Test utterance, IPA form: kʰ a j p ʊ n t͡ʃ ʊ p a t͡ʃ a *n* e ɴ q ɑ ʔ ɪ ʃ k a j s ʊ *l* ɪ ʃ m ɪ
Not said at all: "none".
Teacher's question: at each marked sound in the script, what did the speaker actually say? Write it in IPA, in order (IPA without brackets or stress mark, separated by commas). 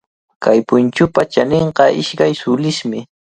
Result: n, l